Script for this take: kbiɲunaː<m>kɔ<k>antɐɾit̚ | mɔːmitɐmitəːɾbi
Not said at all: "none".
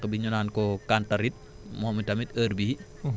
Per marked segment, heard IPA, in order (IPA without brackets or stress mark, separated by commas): n, k